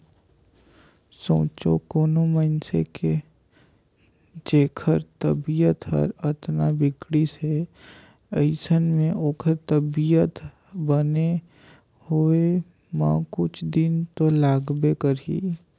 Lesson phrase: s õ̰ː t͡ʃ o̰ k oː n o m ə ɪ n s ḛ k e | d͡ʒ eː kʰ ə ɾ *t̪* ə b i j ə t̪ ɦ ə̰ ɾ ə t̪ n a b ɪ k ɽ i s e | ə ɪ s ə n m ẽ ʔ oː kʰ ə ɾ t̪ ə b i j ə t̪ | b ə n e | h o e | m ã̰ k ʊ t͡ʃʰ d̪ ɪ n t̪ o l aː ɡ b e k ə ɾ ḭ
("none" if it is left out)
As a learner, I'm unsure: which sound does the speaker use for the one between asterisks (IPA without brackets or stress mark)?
t̪